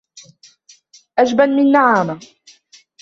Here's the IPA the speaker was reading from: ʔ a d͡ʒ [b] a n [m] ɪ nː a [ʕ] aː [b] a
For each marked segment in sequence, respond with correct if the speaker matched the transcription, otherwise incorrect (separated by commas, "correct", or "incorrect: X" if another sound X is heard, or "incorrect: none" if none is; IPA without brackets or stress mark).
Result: correct, correct, correct, incorrect: m